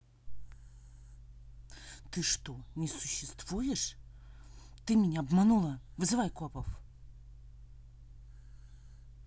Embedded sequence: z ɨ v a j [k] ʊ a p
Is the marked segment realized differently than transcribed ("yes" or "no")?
no